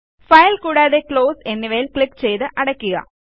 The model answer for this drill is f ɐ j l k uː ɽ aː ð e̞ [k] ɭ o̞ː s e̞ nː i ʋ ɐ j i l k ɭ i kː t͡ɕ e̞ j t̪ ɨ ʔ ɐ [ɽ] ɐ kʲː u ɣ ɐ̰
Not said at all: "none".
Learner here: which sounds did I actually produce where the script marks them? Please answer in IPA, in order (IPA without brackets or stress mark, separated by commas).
k, ɽ